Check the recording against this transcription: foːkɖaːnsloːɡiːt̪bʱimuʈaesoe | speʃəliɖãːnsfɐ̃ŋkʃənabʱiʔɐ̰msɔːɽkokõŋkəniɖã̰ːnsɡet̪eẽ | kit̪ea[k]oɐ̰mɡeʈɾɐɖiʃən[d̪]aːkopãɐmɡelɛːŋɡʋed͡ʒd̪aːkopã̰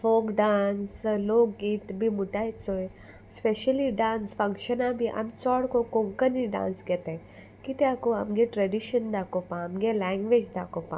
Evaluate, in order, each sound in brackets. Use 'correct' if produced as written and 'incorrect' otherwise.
correct, correct

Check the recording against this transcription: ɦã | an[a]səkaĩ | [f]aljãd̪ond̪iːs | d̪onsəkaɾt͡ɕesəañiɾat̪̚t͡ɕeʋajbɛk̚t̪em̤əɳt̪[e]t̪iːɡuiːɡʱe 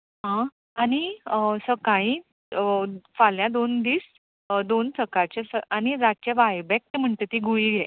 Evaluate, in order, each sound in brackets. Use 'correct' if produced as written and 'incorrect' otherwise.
incorrect, correct, correct

